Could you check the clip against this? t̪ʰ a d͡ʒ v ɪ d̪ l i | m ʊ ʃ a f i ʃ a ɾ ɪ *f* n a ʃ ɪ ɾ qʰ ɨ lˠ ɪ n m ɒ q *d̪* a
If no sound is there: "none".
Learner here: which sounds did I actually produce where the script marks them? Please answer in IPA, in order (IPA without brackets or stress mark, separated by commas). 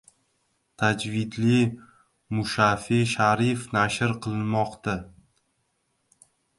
f, t̪